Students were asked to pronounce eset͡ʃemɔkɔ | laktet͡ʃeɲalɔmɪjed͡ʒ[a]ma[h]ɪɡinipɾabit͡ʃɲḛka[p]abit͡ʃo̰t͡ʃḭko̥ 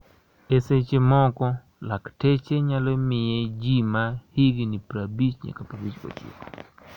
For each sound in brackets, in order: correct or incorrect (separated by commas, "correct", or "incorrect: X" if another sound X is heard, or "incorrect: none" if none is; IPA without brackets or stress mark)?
incorrect: i, correct, correct